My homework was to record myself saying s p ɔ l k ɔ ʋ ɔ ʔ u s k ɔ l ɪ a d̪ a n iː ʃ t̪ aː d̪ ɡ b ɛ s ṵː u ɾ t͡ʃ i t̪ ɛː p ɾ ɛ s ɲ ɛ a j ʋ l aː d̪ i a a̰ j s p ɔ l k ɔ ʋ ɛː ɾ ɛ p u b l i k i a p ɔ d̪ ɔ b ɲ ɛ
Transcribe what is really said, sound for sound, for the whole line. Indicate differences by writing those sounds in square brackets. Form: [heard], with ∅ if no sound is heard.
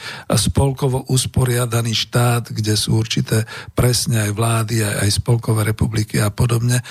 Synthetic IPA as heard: s p ɔ l k ɔ ʋ ɔ ʔ u s [p] ɔ [ɾ] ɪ a d̪ a n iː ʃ t̪ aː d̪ ɡ [ɟ] ɛ s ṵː u ɾ t͡ʃ i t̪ ɛː p ɾ ɛ s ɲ ɛ a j ʋ l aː d̪ i a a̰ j s p ɔ l k ɔ ʋ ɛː ɾ ɛ p u b l i k i a p ɔ d̪ ɔ b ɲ ɛ